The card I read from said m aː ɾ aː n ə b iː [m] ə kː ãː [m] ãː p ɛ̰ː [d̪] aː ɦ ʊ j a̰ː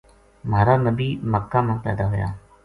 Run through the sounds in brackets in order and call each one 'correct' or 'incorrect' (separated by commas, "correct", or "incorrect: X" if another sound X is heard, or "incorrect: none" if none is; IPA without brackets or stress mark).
correct, correct, correct